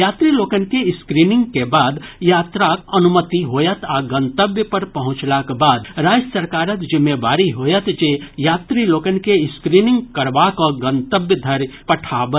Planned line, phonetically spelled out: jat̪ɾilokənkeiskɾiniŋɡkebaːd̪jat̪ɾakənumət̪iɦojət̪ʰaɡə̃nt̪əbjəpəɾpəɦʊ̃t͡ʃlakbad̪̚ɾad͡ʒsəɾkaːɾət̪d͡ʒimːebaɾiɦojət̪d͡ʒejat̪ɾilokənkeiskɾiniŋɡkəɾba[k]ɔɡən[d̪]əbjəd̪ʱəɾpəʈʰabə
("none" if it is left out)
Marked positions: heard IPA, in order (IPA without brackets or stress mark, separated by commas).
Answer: k, t̪